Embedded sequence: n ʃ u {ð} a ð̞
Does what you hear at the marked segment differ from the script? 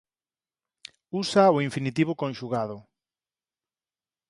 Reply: yes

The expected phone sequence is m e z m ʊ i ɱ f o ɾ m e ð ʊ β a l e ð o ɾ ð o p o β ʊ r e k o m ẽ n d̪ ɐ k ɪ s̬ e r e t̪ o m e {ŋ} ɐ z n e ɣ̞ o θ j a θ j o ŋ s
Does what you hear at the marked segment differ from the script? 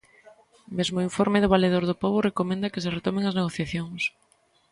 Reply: no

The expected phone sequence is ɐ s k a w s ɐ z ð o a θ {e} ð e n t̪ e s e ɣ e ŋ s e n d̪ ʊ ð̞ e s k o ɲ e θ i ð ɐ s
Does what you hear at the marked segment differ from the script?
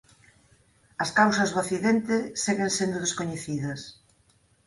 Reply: yes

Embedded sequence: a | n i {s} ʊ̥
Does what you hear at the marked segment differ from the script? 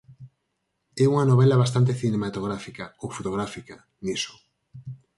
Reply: no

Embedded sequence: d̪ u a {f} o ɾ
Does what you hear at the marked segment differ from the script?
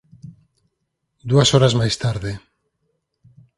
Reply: yes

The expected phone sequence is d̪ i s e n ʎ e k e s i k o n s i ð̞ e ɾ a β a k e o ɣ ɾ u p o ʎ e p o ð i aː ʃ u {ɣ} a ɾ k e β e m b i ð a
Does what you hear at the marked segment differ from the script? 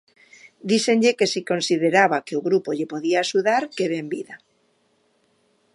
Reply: yes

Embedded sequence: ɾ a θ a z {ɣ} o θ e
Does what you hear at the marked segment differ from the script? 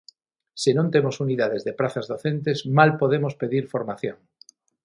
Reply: yes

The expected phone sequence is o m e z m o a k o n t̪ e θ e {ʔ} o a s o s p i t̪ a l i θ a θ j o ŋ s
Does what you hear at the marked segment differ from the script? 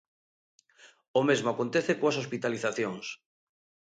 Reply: yes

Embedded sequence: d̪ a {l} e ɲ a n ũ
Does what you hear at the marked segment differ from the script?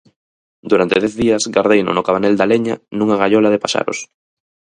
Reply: no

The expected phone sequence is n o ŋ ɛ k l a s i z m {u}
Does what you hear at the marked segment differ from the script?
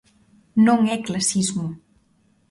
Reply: no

